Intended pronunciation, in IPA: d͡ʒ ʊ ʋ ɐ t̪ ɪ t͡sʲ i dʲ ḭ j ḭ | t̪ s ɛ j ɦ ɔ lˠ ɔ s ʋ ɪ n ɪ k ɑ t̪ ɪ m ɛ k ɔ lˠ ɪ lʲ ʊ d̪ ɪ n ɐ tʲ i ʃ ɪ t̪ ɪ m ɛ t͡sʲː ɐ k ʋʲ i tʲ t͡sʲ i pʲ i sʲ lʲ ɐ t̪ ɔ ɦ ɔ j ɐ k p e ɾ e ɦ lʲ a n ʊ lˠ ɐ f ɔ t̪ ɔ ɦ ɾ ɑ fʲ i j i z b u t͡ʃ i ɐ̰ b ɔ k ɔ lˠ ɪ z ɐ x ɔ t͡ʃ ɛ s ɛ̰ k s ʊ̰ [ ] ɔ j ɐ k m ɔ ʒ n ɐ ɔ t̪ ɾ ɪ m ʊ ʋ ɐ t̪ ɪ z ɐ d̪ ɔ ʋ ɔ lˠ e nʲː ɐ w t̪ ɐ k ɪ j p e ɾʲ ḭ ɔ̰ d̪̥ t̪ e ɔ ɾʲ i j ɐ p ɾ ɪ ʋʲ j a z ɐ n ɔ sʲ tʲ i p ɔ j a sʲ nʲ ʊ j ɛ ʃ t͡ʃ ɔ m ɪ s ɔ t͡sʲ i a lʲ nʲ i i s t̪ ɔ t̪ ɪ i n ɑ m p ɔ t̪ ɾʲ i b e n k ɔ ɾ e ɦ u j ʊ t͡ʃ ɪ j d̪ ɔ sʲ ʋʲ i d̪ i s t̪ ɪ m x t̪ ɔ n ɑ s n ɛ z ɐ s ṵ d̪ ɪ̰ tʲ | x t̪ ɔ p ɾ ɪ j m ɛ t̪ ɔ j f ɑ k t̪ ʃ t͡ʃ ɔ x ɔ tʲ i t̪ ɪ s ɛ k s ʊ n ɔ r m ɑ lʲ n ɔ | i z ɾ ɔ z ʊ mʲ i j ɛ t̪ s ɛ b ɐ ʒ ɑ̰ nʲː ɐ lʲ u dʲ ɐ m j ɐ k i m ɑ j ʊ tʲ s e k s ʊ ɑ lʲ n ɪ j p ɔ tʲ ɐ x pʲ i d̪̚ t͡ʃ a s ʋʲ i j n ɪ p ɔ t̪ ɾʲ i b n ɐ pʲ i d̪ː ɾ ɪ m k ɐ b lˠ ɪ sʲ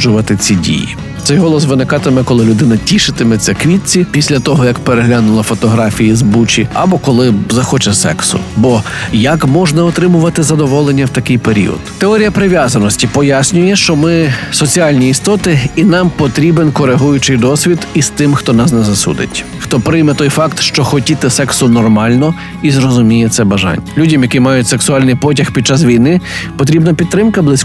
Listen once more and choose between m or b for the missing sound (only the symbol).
b